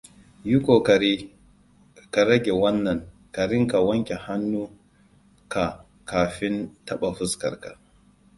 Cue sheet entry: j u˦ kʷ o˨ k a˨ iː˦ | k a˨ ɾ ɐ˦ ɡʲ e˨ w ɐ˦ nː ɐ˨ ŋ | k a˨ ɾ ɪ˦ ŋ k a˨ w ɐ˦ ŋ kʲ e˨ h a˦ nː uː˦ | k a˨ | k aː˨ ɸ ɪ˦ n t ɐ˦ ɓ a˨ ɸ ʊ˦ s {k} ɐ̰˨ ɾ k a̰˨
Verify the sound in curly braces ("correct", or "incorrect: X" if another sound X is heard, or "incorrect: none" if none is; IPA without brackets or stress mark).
correct